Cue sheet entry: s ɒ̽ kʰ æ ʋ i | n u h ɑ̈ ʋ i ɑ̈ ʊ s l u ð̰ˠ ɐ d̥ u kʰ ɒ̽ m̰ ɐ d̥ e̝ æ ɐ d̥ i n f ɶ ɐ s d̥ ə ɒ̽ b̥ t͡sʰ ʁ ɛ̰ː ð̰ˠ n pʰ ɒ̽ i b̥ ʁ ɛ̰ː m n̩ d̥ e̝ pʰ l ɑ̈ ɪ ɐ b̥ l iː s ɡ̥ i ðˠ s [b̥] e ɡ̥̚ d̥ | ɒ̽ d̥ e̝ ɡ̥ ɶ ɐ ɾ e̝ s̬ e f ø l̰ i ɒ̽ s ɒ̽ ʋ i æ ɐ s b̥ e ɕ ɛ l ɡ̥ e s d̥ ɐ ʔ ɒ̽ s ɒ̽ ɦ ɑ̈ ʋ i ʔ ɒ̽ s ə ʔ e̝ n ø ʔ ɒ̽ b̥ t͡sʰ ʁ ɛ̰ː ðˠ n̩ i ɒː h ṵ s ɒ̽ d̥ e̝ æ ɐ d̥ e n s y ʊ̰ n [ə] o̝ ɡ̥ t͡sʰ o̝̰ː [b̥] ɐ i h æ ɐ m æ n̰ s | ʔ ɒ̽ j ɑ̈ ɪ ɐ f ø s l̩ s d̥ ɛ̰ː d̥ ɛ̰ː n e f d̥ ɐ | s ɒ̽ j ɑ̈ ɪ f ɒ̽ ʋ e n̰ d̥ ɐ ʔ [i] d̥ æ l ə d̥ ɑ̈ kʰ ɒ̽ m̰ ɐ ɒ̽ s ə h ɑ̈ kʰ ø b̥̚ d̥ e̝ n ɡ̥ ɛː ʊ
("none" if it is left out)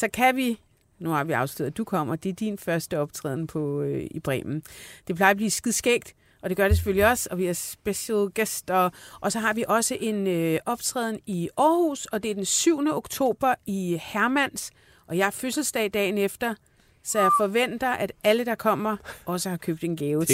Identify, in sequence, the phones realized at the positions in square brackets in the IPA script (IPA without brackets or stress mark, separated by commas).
ɡ̥, ə, b̥, æ